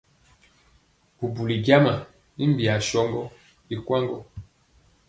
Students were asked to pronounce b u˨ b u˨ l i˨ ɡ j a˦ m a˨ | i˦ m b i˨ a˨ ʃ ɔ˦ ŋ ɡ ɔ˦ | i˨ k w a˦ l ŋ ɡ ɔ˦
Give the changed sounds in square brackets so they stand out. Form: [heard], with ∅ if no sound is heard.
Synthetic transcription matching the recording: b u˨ b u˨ l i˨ ɡ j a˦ m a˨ | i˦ m b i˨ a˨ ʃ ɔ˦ ŋ ɡ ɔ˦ | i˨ k w a˦ [∅] ŋ ɡ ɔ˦